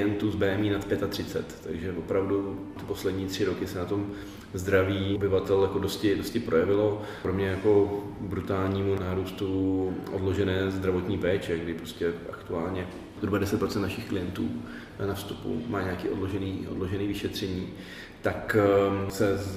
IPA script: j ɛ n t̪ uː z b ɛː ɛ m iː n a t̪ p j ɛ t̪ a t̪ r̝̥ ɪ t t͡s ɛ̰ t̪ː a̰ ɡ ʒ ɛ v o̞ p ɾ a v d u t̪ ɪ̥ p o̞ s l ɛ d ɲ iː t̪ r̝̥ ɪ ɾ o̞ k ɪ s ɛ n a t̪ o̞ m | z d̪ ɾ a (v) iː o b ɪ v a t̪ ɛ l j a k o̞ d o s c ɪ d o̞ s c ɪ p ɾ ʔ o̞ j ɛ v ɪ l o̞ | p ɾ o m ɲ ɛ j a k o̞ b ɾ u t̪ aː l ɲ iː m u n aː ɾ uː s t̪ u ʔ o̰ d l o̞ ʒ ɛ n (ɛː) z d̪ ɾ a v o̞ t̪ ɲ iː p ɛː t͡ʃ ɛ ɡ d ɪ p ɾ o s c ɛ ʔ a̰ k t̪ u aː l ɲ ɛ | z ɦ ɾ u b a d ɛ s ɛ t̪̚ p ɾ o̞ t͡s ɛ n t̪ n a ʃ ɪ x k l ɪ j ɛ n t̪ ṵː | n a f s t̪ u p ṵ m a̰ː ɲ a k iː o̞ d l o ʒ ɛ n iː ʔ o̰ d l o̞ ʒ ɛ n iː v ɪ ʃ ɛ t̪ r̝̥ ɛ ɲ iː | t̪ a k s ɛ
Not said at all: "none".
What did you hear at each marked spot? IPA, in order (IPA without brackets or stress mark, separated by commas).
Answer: v, ɛː